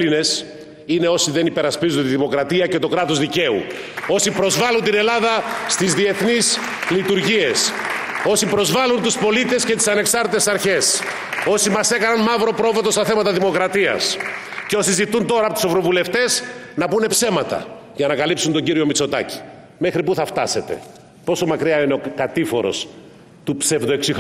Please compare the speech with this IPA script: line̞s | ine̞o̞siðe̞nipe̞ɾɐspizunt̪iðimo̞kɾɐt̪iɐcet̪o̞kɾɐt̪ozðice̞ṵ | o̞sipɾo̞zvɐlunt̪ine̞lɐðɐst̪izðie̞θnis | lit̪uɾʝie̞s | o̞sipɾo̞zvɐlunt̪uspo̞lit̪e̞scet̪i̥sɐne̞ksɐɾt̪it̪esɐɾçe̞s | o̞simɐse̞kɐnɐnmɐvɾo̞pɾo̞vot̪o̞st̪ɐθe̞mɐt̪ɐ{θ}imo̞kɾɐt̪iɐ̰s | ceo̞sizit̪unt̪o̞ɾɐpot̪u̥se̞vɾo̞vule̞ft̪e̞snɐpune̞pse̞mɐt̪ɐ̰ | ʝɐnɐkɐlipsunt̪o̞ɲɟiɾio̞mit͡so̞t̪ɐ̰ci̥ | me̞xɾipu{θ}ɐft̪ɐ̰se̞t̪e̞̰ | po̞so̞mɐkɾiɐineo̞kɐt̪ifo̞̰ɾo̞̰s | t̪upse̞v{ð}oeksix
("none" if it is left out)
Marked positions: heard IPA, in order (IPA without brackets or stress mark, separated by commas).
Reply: ð, θ, ð